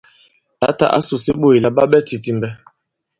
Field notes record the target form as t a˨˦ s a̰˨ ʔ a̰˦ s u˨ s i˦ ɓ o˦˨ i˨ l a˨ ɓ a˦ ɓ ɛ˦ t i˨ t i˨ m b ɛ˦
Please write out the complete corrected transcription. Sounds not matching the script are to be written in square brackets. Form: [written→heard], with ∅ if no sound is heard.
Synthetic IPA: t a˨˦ [s→t] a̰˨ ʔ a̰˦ s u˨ s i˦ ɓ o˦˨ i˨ l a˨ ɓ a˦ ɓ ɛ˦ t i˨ t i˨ m b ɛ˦